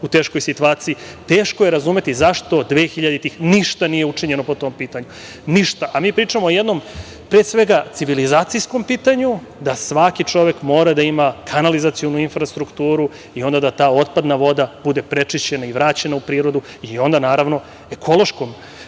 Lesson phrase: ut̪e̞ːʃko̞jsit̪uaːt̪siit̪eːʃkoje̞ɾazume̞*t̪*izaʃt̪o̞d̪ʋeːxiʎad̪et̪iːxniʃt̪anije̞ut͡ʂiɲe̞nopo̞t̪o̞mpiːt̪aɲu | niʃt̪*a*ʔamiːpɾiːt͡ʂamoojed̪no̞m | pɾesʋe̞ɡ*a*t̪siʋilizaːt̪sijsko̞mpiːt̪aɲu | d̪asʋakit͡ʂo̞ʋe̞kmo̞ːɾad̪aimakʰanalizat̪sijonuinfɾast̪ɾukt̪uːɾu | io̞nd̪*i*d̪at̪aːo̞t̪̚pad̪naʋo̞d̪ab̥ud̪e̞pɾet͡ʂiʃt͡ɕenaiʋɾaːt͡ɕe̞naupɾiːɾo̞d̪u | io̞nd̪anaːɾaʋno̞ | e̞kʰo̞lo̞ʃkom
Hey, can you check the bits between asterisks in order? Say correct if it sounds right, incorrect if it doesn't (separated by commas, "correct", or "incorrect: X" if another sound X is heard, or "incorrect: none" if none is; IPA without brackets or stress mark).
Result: correct, correct, correct, incorrect: a